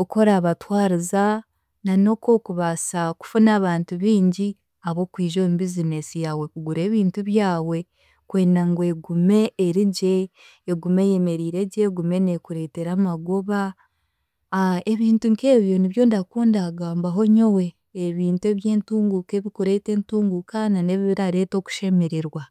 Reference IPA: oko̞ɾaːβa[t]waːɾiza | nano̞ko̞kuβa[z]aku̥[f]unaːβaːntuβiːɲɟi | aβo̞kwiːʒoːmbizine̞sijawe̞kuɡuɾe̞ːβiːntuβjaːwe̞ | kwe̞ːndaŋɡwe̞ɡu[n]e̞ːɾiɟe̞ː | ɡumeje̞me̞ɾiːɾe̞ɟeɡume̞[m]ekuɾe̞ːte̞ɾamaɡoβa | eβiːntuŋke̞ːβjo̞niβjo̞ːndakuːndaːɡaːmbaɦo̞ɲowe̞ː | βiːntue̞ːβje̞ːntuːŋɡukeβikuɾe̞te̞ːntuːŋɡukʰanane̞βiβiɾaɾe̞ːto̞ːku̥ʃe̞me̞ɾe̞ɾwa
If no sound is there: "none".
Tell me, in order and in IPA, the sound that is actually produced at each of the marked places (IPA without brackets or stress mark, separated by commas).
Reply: t, s, f, m, n